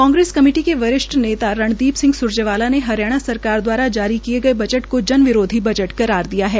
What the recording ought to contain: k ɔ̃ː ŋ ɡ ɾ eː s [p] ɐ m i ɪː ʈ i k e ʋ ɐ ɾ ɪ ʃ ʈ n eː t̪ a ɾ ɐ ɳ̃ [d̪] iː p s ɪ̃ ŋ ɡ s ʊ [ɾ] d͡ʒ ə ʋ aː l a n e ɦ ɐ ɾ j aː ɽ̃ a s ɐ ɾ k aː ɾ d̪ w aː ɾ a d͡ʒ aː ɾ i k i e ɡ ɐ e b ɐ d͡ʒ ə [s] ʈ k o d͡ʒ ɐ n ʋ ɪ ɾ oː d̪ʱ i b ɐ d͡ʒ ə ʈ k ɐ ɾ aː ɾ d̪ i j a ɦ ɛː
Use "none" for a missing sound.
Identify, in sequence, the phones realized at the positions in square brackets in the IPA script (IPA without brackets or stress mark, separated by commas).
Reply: k, d̪, ɾ, none